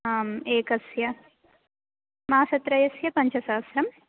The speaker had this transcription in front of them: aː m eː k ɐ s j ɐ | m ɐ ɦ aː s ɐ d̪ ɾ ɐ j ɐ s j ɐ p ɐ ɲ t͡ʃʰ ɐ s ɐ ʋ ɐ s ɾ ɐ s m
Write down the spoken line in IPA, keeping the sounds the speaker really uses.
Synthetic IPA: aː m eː k ɐ s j ɐ | m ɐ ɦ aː s ɐ t̪ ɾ ɐ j ɐ s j ɐ p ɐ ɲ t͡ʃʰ ɐ s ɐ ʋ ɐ s ɾ ɐ m